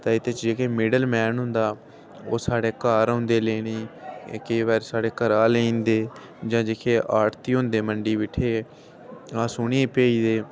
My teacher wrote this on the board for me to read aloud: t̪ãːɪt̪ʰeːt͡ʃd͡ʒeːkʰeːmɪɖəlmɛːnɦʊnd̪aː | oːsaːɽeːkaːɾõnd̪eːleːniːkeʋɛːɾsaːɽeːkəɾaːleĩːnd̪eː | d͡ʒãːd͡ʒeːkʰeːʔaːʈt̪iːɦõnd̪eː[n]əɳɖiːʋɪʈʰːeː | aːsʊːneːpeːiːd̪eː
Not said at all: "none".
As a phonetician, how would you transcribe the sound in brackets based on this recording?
m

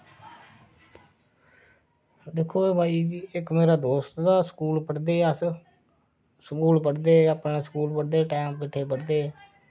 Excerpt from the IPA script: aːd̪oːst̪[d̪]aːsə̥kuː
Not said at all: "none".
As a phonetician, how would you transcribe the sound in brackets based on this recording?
d̪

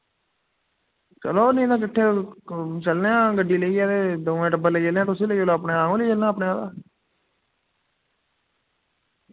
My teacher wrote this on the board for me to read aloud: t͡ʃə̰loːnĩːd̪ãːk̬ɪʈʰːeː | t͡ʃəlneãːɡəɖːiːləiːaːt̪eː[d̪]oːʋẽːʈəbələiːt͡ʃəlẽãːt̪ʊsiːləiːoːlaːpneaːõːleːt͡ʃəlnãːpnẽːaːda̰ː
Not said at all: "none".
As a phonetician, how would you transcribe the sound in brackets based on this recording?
d̪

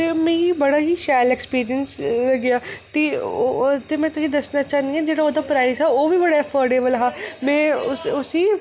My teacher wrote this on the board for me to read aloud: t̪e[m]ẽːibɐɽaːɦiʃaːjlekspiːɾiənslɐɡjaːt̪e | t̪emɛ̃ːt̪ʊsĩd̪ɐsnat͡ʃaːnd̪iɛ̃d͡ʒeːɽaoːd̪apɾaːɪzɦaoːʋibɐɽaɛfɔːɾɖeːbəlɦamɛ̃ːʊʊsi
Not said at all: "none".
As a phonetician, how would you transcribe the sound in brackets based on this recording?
m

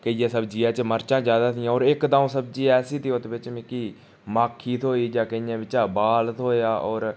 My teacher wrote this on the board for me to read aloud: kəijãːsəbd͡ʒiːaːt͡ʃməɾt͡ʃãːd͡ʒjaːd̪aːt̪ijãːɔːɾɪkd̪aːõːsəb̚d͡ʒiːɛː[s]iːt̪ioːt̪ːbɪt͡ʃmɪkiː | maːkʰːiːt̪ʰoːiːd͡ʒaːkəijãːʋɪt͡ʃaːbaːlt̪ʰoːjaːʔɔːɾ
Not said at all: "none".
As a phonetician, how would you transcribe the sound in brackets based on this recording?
s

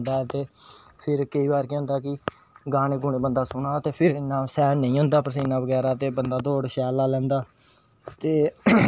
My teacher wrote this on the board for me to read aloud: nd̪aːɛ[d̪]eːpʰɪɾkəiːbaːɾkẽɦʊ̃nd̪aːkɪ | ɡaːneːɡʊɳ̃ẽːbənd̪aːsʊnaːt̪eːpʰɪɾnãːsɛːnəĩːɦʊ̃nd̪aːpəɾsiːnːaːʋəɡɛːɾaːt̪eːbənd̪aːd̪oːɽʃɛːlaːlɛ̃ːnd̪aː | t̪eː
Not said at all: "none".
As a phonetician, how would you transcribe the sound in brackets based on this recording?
t̪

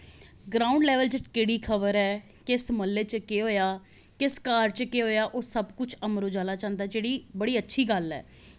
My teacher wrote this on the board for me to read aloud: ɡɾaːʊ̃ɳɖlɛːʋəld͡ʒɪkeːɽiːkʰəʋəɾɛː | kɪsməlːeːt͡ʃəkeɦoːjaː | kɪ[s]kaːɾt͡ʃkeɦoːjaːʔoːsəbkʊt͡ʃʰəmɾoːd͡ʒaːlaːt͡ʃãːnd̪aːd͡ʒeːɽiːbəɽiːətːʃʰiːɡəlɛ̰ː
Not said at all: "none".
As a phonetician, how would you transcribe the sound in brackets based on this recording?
s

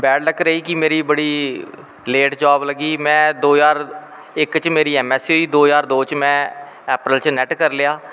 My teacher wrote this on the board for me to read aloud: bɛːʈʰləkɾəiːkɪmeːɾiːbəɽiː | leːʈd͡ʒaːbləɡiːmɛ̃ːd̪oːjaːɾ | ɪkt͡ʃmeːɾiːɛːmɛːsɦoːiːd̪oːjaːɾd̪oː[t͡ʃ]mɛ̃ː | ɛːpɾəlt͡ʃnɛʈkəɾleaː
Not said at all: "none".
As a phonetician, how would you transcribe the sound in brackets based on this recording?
t͡ʃ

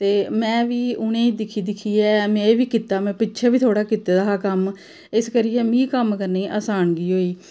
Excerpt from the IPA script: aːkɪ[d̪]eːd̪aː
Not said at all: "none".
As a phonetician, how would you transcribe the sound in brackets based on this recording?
t̪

